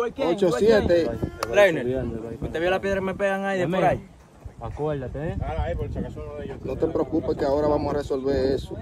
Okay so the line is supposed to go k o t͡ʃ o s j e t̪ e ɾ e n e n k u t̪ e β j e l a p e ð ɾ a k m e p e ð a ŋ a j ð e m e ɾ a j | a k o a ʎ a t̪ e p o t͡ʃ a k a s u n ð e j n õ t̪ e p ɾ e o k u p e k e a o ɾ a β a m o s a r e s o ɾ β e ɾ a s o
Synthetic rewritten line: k o t͡ʃ o s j e t̪ e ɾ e n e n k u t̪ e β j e l a p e ð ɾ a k m e p e ɣ a ŋ a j ð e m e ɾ a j | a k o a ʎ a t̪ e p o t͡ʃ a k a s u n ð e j n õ t̪ e p ɾ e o k u p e k e a o ɾ a β a m o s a r e s o l β e ɾ e s o